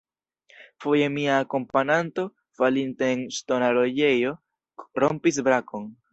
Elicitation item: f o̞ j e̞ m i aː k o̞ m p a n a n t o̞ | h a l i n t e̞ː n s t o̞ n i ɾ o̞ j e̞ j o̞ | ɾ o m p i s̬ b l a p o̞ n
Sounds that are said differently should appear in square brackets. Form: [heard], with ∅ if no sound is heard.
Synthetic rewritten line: f o̞ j e̞ m i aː k o̞ m p a n a n t o̞ | [f] a l i n t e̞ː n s t o̞ n [a] ɾ o̞ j e̞ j o̞ | ɾ o m p i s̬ b [ɾ] a [k] o̞ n

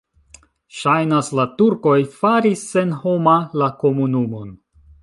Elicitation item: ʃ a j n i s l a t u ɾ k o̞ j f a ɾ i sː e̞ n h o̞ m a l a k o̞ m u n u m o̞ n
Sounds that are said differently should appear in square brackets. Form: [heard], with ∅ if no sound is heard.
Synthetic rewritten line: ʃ a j n [a] s l a t u ɾ k o̞ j f a ɾ i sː e̞ n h o̞ m a l a k o̞ m u n u m o̞ n

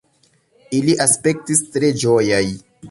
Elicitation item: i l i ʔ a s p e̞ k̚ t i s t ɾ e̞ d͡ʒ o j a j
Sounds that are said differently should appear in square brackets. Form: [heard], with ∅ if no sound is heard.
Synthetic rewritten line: i l i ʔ a s p e̞ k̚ t i s t ɾ e̞ d͡ʒ o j a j

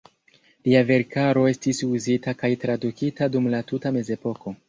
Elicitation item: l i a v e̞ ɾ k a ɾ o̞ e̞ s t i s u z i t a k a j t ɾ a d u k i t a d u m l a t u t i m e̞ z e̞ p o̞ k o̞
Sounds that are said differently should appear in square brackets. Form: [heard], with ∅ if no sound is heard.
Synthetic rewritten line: l i a v e̞ ɾ k a ɾ o̞ e̞ s t i s u z i t a k a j t ɾ a d u k i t a d u m l a t u t [a] m e̞ z e̞ p o̞ k o̞

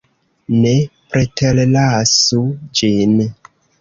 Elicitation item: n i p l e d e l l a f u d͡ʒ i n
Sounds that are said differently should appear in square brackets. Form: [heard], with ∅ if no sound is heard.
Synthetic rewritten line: n [e] p [ɾ] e [t] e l l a [s] u d͡ʒ i n

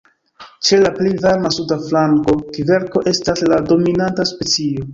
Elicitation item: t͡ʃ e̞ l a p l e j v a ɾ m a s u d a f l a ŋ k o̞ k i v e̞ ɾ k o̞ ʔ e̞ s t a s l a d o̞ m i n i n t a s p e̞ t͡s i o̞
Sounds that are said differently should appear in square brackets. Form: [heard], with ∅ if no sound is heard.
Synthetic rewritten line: t͡ʃ e̞ l a p l e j v a ɾ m a s u d a f l a ŋ k o̞ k i v e̞ ɾ k o̞ ʔ e̞ s t a s l a d o̞ m i n [a] n t a s p e̞ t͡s i o̞

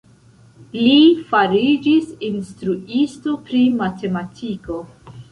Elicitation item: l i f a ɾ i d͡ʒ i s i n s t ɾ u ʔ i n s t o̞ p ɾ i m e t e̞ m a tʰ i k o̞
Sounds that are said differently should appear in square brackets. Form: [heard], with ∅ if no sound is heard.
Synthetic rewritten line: l i f a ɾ i d͡ʒ i s i n s t ɾ u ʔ i [∅] s t o̞ p ɾ i m [a] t e̞ m a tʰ i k o̞

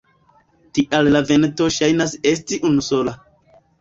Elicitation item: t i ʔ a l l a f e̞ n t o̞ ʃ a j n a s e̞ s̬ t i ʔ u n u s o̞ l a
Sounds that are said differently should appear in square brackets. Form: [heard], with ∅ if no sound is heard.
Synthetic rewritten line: t i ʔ a l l a [v] e̞ n t o̞ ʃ a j n a s e̞ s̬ t i ʔ u n u s o̞ l a

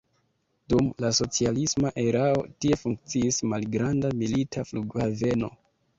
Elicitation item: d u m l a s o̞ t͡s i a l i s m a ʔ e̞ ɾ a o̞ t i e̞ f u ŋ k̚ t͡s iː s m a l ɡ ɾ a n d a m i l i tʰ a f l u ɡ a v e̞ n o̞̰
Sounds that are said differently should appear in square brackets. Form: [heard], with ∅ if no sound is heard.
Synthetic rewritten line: d u m l a s o̞ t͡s i a l i s m a ʔ e̞ ɾ a o̞ t i e̞ f u ŋ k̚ t͡s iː s m a l ɡ ɾ a n d a m i l i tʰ a f l u ɡ a v e̞ n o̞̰

